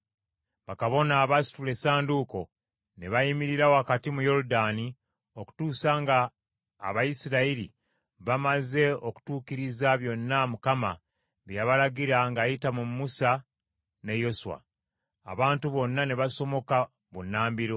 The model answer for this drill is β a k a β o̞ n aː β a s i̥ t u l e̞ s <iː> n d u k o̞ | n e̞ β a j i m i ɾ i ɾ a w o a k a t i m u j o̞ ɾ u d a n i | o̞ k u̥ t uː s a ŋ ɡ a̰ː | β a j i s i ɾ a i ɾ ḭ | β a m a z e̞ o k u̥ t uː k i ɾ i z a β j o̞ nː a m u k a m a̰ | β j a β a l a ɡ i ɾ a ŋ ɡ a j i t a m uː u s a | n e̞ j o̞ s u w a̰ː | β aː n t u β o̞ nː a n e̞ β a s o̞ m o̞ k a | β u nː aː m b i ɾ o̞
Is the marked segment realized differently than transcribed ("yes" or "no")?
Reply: yes